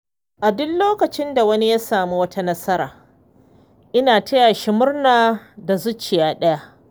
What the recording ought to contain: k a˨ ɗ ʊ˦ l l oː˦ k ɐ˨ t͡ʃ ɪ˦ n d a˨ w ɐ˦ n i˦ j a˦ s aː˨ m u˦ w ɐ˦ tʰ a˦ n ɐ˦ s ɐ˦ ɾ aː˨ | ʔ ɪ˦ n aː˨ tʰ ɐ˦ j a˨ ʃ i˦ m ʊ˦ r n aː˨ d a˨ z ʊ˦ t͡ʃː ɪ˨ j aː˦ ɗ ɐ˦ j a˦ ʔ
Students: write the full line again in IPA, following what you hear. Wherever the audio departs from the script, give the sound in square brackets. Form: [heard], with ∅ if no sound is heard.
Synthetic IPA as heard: [ʔ] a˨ [d] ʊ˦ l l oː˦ k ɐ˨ t͡ʃ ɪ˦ n d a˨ w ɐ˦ n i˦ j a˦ s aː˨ m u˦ w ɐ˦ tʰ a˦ n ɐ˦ s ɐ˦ ɾ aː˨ | ʔ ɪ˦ n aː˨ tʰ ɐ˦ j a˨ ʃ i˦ m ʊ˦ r n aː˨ d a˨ z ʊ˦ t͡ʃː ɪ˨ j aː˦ ɗ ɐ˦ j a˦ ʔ